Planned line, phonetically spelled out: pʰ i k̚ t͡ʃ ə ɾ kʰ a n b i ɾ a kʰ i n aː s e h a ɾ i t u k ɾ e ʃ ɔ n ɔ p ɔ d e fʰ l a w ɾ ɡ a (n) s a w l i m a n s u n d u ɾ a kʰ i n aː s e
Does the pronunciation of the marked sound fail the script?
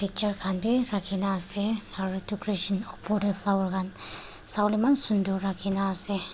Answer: no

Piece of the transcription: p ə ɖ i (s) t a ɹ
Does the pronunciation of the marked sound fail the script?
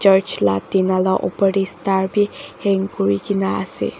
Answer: no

